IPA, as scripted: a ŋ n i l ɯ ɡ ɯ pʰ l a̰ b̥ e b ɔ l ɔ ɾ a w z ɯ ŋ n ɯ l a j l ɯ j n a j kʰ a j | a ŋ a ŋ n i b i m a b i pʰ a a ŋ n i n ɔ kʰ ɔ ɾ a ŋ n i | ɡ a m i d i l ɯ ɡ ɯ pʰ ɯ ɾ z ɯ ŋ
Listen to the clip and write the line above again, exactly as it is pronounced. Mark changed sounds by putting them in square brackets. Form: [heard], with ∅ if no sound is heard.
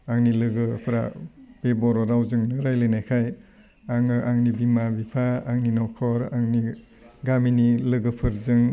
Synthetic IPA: a ŋ n i l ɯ ɡ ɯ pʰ [ɾ] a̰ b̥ e b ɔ [ɾ] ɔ ɾ a w z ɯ ŋ n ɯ [ɾ] a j l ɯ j n a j kʰ a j | a ŋ a ŋ n i b i m a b i pʰ a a ŋ n i n ɔ kʰ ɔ ɾ a ŋ n i | ɡ a m i [n] i l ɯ ɡ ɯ pʰ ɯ ɾ z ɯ ŋ